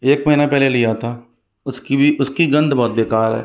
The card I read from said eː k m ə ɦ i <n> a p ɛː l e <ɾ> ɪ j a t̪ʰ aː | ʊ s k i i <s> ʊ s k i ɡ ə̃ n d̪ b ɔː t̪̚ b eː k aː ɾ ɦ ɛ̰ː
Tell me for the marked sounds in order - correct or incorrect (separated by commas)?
correct, incorrect, incorrect